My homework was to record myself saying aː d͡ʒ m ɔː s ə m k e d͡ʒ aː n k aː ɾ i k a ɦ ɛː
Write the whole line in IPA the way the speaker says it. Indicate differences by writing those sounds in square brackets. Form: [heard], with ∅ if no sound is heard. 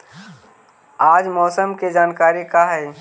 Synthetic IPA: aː d͡ʒ m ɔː s ə m k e d͡ʒ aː n k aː ɾ i k a ɦ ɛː

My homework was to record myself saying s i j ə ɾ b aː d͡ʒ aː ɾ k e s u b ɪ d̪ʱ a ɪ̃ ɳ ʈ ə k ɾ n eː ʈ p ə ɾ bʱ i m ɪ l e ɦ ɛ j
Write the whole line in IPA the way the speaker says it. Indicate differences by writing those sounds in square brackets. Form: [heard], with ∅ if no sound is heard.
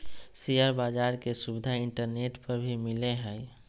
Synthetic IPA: s i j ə ɾ b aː d͡ʒ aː ɾ k e s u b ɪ d̪ʱ a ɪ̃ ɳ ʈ ə [∅] ɾ n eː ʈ p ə ɾ bʱ i m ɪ l e ɦ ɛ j

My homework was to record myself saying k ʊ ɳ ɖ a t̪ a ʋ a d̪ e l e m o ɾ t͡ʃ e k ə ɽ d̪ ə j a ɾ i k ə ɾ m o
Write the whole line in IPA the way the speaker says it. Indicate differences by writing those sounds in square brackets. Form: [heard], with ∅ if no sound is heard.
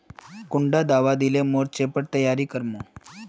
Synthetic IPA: k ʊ ɳ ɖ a [d̪] a ʋ a d̪ [i] l e m o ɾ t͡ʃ e [p] ə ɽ [t̪] ə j a ɾ i k ə ɾ m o

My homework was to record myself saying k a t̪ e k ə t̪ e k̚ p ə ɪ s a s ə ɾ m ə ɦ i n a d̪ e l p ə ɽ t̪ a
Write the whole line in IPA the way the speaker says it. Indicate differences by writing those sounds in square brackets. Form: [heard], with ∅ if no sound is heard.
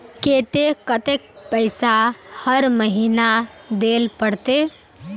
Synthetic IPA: k [e] t̪ e k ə t̪ e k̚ p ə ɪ s a [h] ə ɾ m ə ɦ i n a d̪ e l p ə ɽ t̪ [e]

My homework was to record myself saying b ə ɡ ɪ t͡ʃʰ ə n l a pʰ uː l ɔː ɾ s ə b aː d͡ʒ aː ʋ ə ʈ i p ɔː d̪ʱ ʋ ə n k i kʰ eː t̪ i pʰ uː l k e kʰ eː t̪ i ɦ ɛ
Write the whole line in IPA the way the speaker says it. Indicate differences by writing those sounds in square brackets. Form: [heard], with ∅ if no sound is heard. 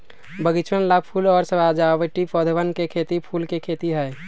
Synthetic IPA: b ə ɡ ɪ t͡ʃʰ ə n l a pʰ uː l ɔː ɾ s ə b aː d͡ʒ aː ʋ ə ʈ i p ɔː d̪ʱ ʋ ə n k [e] kʰ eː t̪ i pʰ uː l k e kʰ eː t̪ i ɦ ɛ

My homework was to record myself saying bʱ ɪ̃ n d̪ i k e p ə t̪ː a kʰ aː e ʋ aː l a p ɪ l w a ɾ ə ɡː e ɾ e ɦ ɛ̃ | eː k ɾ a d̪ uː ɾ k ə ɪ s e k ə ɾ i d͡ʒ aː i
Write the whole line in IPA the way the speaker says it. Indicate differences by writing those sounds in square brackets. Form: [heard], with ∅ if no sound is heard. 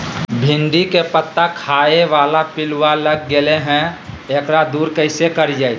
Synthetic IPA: bʱ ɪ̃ n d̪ i k e p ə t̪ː a kʰ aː e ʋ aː l a p ɪ l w a [l] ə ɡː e [l] e ɦ ɛ̃ | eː k ɾ a d̪ uː ɾ k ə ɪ s e k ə ɾ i d͡ʒ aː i

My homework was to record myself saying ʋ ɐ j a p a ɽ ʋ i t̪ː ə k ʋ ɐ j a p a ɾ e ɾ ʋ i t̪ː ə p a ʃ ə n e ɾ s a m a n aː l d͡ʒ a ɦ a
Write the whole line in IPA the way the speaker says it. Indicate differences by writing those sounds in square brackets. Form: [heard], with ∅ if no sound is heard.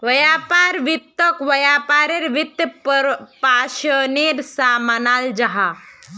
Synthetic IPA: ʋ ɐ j a p a [ɾ] ʋ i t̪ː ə k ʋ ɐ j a p a ɾ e ɾ ʋ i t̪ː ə p a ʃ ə n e ɾ s a m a n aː l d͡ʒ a ɦ a

